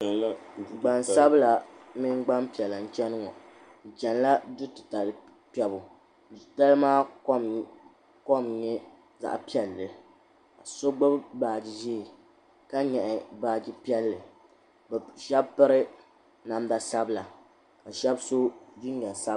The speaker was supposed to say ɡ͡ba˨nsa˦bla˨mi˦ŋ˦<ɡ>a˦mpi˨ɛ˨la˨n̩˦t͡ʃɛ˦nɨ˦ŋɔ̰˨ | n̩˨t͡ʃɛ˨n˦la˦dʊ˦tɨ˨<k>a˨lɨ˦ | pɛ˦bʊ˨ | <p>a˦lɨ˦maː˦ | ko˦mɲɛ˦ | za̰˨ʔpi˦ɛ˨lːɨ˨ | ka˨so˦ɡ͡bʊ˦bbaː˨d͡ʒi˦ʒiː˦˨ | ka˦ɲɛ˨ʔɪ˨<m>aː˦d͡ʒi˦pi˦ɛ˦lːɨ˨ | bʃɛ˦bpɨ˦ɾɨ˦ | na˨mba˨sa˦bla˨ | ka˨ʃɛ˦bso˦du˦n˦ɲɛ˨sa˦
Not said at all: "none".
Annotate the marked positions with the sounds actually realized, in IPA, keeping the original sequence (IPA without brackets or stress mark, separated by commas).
ɡ͡b, t, t, b